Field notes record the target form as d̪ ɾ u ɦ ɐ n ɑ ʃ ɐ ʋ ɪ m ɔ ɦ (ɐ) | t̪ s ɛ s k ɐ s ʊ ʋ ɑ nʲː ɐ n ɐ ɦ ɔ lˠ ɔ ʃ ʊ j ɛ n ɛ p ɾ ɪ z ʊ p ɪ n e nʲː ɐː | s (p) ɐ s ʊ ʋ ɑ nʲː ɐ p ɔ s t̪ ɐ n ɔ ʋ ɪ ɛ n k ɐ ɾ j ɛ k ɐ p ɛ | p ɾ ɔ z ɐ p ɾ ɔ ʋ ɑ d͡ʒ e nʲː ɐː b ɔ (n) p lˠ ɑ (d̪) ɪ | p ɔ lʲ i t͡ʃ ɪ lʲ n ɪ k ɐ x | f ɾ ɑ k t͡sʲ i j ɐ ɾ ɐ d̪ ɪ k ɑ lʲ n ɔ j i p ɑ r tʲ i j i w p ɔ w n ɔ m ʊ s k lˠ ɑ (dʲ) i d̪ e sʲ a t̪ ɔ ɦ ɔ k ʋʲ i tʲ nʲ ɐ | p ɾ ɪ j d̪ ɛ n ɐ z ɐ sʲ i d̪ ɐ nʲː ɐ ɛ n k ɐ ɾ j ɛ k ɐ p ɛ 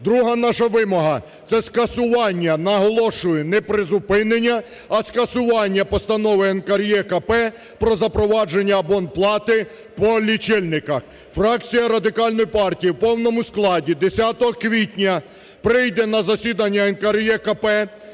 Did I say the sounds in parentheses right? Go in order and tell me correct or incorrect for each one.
correct, incorrect: k, correct, incorrect: t̪, correct

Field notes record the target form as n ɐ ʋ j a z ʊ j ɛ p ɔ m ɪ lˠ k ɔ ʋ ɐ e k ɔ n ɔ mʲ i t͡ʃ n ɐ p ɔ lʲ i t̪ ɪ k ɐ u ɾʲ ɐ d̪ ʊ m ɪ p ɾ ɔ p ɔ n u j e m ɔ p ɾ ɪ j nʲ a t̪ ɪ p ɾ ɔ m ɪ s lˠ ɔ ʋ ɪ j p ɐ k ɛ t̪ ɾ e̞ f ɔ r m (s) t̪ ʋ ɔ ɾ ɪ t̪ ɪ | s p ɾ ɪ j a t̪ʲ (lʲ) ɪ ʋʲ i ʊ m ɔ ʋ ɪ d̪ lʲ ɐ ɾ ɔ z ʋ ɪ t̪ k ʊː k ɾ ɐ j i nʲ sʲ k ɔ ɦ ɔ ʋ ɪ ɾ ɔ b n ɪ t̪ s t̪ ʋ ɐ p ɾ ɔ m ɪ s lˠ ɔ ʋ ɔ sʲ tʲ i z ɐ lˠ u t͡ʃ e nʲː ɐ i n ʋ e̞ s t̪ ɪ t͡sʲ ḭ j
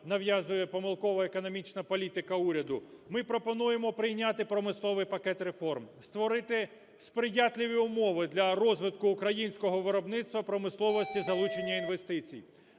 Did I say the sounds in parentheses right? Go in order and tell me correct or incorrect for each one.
correct, correct

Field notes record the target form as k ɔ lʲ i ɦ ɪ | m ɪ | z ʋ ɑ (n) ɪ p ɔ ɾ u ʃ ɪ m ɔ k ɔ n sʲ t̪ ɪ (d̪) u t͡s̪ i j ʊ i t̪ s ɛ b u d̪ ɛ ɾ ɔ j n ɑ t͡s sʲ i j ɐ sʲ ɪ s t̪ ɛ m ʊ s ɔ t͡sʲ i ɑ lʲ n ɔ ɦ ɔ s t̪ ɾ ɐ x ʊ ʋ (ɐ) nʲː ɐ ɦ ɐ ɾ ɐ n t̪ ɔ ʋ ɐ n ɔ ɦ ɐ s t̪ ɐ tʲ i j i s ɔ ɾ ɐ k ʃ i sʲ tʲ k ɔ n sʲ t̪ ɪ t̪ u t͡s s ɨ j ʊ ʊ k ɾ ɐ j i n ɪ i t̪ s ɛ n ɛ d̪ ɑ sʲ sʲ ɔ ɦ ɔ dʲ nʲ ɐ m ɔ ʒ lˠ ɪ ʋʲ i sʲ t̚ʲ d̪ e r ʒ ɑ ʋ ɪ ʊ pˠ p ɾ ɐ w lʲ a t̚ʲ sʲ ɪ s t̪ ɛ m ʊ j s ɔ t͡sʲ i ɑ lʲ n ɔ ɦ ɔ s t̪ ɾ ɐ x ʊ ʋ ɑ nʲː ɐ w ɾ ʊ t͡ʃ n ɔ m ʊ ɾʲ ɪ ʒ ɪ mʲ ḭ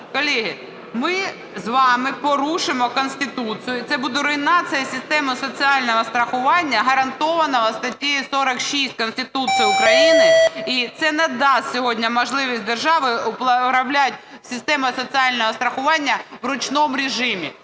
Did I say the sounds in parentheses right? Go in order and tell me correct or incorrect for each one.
incorrect: m, incorrect: t̪, incorrect: ɑ

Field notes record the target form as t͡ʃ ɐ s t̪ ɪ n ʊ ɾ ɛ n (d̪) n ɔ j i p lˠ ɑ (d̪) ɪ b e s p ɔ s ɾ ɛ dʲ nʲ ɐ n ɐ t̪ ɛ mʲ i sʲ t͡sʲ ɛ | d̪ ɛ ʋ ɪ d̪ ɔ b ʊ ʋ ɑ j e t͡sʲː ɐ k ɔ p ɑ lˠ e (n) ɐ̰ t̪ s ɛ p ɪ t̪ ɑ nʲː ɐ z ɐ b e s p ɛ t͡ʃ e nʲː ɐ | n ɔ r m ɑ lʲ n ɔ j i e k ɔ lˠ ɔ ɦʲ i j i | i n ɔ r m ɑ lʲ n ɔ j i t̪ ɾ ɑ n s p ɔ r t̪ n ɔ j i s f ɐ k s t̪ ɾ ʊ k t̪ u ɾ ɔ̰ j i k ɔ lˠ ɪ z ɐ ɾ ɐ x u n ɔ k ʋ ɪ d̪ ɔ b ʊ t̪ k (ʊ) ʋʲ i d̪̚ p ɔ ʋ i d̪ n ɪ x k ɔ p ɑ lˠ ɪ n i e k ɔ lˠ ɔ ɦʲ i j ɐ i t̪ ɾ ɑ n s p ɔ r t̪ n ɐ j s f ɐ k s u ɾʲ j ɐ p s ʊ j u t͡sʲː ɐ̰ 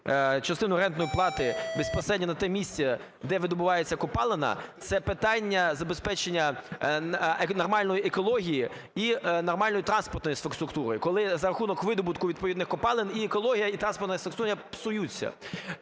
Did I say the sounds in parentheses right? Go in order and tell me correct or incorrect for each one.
incorrect: t̪, incorrect: t̪, correct, correct

